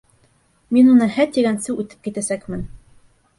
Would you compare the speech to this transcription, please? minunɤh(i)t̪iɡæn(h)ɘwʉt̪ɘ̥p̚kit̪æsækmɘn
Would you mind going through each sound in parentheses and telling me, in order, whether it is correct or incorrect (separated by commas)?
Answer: incorrect, incorrect